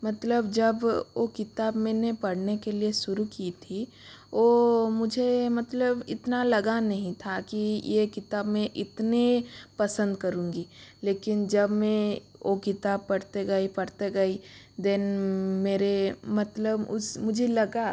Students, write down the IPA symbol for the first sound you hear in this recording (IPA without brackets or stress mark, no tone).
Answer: m